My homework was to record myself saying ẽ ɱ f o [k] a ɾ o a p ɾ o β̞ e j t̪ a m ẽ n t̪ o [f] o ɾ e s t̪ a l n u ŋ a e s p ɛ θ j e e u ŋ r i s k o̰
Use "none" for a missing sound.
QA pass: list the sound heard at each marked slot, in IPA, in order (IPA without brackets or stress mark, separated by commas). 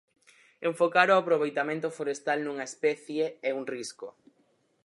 k, f